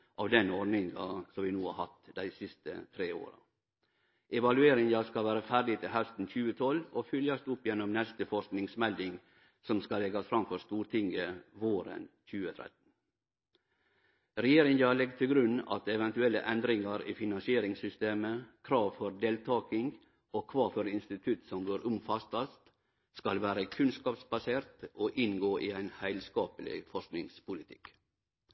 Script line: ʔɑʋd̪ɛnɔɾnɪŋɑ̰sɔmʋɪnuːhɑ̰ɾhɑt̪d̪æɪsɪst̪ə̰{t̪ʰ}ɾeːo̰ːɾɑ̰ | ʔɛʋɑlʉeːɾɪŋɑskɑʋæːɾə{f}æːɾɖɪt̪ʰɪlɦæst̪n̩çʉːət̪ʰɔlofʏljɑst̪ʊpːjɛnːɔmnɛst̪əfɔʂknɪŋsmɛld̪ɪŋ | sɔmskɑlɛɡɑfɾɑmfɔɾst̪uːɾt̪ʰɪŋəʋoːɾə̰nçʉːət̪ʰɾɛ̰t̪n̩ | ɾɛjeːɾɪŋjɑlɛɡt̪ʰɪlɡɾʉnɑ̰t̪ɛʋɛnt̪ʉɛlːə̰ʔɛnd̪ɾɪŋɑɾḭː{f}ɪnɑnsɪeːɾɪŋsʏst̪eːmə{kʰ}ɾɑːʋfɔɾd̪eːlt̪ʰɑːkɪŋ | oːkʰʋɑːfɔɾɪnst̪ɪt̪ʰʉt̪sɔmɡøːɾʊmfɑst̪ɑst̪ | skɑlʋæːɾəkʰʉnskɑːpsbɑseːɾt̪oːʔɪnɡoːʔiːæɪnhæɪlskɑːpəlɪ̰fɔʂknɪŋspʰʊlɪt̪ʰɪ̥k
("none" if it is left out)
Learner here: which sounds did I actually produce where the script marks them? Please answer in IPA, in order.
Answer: t̪ʰ, f, f, kʰ

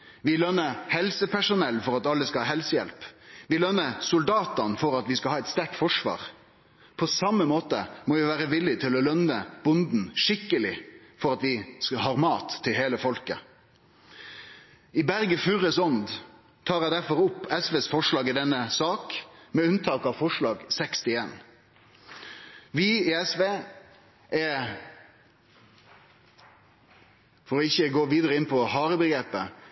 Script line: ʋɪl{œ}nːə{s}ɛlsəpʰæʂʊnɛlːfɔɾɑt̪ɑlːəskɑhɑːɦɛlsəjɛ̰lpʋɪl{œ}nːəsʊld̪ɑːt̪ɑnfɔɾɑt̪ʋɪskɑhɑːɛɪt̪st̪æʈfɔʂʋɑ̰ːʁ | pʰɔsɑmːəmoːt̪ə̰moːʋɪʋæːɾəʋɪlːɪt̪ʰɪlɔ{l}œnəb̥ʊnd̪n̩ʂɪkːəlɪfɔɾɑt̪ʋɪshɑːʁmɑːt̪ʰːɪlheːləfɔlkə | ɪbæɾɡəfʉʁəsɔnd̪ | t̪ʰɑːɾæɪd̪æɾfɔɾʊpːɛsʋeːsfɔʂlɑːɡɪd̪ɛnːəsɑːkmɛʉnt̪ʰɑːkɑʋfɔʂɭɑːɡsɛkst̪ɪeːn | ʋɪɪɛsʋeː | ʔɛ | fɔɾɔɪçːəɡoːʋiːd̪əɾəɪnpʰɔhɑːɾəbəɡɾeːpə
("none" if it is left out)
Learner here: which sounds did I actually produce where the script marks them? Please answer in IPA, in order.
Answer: œ, h, œ, l

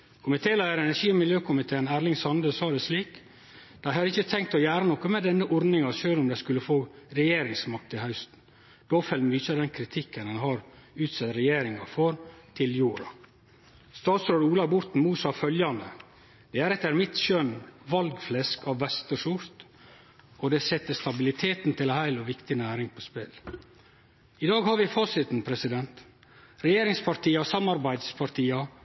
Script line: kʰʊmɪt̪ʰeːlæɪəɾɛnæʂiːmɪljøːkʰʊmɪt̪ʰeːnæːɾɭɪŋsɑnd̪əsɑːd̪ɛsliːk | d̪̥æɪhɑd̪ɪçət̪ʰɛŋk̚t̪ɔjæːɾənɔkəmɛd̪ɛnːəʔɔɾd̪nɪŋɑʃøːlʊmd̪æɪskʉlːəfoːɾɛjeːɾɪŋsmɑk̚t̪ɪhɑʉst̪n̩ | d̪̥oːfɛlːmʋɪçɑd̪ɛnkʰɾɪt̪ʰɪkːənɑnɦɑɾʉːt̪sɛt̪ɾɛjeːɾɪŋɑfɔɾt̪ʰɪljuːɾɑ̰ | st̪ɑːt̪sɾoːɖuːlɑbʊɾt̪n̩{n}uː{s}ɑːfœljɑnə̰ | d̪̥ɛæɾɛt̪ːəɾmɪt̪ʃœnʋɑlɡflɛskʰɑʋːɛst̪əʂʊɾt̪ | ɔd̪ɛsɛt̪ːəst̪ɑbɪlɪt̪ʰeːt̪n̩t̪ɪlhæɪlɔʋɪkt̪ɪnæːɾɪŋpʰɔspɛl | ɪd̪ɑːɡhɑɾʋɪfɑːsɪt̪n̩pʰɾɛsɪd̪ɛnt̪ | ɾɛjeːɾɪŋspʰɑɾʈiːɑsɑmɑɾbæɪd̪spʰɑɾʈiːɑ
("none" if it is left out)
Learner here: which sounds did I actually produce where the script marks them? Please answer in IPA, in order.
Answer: m, s

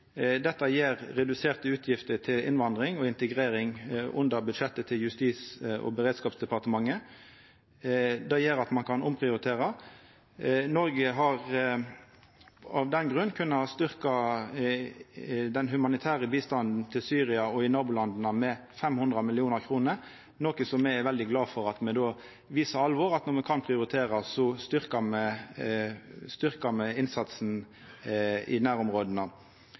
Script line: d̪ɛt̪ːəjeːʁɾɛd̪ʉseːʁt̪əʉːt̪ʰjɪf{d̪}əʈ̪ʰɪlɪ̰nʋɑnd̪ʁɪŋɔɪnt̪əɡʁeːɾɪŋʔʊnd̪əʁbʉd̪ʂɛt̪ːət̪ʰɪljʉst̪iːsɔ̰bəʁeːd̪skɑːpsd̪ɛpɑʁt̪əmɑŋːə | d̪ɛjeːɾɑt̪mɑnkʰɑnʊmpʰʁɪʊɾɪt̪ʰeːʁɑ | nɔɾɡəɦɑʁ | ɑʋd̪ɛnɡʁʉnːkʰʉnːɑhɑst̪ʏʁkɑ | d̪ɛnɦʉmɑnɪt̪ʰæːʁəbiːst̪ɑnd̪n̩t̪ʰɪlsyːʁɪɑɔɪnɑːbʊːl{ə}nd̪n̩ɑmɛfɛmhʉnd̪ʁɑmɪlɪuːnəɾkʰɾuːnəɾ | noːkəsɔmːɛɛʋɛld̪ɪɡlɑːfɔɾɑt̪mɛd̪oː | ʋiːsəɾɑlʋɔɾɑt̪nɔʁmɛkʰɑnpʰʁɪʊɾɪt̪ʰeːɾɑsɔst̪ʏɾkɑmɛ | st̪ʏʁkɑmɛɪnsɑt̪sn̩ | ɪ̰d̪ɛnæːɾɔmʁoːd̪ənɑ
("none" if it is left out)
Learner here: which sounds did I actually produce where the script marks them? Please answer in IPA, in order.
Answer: t̪, ɑ

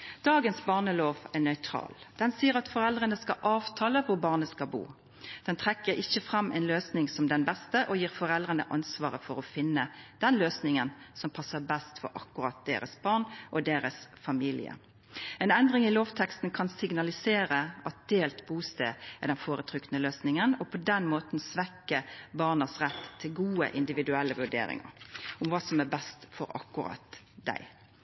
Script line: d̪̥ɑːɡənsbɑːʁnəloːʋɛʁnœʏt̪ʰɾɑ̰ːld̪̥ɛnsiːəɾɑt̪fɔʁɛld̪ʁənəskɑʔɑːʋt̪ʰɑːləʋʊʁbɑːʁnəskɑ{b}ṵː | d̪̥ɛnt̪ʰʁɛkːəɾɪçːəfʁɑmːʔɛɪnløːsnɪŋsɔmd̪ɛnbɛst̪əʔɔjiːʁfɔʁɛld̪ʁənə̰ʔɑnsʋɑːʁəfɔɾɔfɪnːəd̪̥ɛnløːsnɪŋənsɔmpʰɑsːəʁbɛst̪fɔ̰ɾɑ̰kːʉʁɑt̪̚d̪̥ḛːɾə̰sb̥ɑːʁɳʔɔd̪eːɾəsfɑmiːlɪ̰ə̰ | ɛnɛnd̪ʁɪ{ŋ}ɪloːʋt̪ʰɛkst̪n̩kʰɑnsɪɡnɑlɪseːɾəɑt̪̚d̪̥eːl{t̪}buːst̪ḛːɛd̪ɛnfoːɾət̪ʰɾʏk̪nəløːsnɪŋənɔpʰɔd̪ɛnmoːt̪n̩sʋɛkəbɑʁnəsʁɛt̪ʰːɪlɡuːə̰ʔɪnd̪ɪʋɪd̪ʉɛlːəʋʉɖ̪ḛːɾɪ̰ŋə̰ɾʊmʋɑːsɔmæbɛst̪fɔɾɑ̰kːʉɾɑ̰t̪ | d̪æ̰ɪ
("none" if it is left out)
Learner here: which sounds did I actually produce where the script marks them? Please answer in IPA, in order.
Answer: b, ŋ, t̪

